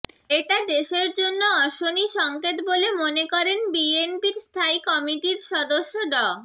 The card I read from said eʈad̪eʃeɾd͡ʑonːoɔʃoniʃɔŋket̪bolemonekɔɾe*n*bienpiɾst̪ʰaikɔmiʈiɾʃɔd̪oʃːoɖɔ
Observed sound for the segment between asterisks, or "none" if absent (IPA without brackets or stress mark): n